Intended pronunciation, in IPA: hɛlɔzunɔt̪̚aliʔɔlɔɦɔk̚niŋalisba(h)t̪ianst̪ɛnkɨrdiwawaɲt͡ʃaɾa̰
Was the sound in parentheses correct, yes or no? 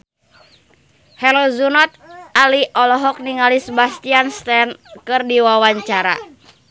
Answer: no